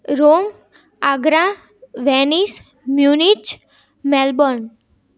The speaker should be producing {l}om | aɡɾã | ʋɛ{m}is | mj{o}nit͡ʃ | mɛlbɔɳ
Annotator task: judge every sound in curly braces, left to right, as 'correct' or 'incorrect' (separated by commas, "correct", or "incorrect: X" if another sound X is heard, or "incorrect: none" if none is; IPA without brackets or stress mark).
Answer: incorrect: ɾ, incorrect: n, incorrect: u